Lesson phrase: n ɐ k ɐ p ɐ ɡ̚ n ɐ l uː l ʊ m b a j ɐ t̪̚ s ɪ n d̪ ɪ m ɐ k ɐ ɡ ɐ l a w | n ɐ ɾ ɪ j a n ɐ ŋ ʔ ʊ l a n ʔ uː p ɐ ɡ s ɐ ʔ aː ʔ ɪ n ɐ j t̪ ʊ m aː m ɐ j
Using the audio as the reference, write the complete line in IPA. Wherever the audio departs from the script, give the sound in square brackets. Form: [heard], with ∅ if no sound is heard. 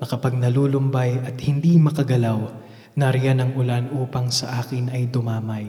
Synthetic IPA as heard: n ɐ k ɐ p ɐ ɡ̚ n ɐ l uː l ʊ m b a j ɐ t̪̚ [h] ɪ n d̪ [i] m ɐ k ɐ ɡ ɐ l a w | n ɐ ɾ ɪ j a n ɐ ŋ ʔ ʊ l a n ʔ uː p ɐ [ŋ] s ɐ ʔ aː [k] ɪ n ɐ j [d̪] ʊ m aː m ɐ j